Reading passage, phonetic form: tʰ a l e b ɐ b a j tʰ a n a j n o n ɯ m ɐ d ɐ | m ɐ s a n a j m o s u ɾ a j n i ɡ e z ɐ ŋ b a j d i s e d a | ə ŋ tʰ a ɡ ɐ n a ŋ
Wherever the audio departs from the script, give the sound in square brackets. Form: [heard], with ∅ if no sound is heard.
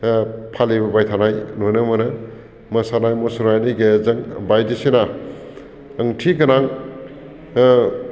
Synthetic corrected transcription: [pʰ] a l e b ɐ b a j tʰ a n a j n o n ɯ m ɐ [n] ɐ | m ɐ s a n a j m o s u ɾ a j n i ɡ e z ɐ ŋ b a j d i s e [n] a | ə ŋ tʰ [i] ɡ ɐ n a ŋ